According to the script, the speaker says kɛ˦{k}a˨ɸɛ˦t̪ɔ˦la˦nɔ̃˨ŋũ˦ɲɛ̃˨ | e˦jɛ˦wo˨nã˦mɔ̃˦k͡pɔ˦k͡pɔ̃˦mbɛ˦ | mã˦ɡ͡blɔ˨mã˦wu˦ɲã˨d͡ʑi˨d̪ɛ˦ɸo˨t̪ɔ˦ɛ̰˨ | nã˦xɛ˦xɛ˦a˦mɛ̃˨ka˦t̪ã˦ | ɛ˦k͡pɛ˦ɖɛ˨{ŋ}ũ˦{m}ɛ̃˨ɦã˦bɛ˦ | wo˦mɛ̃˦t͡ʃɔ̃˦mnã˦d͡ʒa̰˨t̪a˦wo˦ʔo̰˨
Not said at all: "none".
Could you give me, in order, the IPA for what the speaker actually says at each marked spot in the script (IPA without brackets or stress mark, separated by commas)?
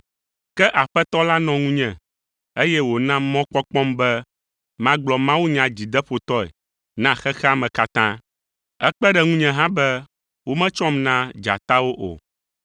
ʔ, ŋ, ɲ